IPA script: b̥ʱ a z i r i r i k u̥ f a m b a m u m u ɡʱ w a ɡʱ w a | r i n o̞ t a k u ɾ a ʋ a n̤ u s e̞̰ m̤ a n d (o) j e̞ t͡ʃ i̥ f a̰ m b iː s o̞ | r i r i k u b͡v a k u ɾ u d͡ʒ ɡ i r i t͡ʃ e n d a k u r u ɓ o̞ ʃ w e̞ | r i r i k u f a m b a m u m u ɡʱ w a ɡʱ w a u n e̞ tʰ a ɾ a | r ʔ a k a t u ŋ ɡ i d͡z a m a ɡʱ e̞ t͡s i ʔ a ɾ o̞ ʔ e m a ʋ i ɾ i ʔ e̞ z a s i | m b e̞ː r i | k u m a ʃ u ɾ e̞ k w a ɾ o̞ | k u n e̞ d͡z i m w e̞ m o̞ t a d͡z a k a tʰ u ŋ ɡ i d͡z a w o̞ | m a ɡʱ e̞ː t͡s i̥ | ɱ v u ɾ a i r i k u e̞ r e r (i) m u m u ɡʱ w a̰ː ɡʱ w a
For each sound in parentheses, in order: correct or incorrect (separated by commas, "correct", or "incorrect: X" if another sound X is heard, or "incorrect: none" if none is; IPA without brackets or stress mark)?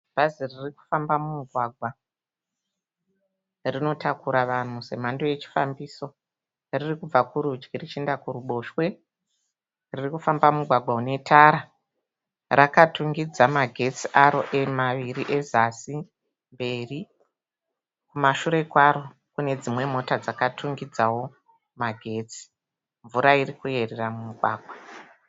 correct, incorrect: a